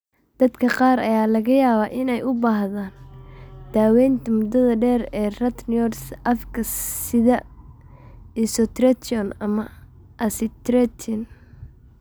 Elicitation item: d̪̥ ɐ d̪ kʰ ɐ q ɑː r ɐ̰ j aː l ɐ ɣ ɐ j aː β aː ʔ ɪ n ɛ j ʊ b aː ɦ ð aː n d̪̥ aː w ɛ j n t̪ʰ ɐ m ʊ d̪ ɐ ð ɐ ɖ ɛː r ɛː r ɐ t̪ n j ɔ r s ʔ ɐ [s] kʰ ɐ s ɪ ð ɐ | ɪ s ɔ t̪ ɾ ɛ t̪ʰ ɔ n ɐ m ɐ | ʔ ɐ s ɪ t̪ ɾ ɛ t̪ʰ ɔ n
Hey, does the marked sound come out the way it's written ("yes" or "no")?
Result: no